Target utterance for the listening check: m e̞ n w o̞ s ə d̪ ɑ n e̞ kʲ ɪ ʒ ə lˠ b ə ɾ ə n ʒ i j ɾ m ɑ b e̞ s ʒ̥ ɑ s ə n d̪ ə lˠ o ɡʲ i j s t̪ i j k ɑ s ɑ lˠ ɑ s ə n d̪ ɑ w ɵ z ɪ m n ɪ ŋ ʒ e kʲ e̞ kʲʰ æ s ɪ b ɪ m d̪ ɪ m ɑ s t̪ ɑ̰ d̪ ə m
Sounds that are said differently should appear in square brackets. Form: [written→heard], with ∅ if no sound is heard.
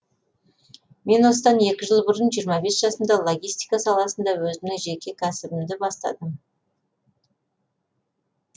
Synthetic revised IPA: m e̞ n w o̞ s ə d̪ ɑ n e̞ kʲ ɪ ʒ ə lˠ b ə ɾ ə n ʒ i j ɾ m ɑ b e̞ s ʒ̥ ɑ s ə n d̪ [ə→ɑ] lˠ o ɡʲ i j s t̪ i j k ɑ s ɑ lˠ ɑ s ə n d̪ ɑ w ɵ z ɪ m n ɪ ŋ ʒ e kʲ e̞ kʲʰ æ s ɪ b ɪ m d̪ ɪ [m→b] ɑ s t̪ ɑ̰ d̪ ə m